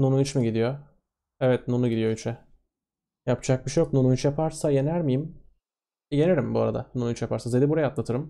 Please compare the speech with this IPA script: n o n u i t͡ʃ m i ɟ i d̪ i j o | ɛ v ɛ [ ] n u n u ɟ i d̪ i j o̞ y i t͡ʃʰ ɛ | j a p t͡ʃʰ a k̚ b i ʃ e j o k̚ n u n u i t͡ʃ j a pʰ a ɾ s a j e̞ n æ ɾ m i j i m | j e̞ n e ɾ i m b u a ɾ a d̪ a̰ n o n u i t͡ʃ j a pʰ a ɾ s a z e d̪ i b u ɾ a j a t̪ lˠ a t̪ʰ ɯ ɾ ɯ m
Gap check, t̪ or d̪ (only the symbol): t̪